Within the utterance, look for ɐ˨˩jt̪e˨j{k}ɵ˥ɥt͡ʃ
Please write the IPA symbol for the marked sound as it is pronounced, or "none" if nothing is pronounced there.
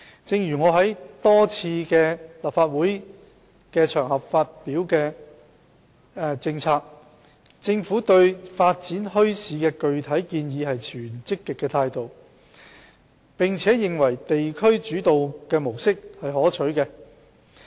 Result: kʰ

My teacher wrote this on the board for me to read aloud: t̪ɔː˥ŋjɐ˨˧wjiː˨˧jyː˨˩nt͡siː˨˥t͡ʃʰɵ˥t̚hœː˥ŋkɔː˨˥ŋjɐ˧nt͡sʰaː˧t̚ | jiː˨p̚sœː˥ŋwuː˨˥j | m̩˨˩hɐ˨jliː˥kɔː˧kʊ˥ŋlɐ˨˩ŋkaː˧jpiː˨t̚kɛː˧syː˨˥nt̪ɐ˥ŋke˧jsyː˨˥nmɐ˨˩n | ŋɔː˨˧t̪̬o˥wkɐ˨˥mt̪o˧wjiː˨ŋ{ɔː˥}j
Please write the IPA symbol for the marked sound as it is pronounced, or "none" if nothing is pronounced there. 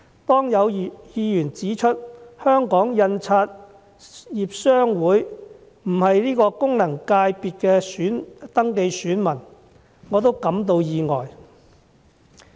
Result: ɔː˨˩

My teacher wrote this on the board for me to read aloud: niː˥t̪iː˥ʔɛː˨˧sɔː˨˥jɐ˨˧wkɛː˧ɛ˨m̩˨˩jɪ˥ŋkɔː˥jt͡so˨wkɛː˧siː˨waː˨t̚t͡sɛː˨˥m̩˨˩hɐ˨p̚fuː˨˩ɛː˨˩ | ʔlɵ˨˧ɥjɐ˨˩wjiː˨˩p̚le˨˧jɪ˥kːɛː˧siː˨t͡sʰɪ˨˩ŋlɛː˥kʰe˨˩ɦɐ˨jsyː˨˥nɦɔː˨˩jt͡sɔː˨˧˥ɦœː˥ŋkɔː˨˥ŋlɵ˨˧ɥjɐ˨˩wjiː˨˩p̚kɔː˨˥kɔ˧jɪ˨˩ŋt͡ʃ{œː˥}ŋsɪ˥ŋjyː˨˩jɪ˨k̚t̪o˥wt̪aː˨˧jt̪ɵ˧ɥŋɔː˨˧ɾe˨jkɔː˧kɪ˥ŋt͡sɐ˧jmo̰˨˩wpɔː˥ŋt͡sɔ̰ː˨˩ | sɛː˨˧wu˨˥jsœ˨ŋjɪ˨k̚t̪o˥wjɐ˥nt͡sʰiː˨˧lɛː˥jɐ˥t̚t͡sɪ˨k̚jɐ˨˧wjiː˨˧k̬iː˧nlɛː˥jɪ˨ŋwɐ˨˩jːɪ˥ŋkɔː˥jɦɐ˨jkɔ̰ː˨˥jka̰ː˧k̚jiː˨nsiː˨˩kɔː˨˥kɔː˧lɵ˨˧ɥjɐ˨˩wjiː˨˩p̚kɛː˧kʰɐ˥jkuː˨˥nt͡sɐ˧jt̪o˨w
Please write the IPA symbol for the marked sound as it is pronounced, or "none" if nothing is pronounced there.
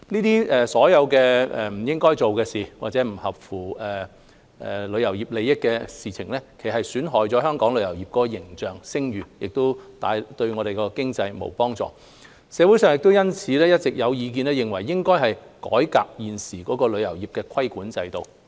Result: œː˨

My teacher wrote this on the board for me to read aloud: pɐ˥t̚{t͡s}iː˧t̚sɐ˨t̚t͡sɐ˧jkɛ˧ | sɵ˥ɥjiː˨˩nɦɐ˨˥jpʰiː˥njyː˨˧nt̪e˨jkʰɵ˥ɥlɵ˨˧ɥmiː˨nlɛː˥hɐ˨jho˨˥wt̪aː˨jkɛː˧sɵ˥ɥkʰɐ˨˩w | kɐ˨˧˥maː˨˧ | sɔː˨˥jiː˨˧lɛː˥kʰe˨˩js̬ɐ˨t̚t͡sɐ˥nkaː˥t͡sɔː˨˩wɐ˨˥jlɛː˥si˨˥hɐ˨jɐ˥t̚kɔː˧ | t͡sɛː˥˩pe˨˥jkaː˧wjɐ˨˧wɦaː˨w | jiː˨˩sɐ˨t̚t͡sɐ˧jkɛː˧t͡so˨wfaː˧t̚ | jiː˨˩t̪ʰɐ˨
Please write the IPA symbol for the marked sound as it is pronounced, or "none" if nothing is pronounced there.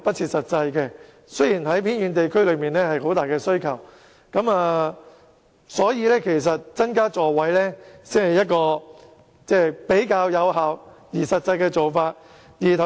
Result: t͡sʰ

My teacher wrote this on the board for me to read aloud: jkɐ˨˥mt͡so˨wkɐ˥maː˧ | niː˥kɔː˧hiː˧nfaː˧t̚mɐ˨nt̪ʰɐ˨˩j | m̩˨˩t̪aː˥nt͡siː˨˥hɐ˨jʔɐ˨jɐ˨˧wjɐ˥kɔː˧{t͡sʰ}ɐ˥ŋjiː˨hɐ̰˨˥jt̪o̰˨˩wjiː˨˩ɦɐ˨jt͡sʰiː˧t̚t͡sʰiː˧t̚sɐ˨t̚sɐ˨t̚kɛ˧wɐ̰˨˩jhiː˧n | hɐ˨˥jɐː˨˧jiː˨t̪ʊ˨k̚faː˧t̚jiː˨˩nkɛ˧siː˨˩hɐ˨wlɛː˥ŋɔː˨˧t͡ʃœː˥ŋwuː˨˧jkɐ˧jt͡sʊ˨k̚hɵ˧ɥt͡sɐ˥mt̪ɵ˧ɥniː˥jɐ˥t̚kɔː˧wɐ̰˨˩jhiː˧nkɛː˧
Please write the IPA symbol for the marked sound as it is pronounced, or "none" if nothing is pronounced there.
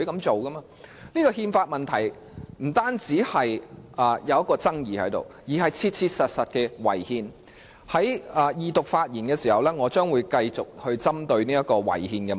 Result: t͡s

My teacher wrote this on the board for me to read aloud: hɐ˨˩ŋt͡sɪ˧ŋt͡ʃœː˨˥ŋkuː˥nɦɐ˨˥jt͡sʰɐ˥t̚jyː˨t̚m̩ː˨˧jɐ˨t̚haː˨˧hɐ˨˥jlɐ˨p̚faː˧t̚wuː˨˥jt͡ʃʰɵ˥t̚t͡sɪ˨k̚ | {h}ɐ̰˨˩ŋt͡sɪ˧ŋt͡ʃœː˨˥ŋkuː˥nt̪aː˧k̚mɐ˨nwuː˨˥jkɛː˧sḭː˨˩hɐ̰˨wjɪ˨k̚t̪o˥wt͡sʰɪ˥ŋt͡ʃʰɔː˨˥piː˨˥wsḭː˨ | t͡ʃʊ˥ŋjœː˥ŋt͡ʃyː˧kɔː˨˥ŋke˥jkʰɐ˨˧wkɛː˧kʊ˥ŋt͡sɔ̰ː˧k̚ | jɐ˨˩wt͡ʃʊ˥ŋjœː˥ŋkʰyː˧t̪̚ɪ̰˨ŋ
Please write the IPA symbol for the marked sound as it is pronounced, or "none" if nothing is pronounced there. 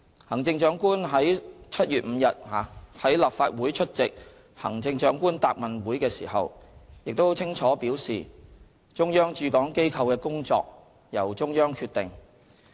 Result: h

